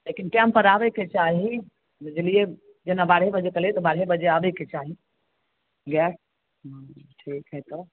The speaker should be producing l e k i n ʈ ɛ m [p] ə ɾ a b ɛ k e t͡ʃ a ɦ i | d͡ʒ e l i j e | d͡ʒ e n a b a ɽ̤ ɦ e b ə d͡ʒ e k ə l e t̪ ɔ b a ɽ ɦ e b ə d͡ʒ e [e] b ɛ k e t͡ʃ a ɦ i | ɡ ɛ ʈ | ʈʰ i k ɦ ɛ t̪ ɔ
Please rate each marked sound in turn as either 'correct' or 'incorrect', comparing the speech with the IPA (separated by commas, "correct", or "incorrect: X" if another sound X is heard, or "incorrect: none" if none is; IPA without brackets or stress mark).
correct, incorrect: a